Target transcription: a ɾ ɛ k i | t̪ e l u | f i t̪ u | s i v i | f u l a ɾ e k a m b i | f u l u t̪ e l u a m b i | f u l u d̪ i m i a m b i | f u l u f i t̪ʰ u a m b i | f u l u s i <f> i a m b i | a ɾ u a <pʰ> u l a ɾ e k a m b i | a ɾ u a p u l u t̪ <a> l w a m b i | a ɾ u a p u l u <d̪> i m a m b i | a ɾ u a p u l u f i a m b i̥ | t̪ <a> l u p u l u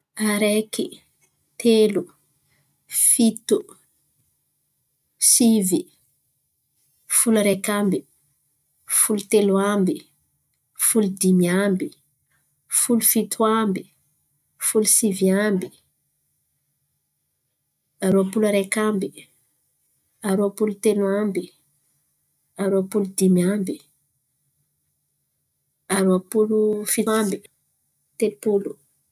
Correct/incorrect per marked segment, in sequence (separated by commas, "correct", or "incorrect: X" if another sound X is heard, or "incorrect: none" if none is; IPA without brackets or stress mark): incorrect: v, incorrect: p, incorrect: e, correct, incorrect: e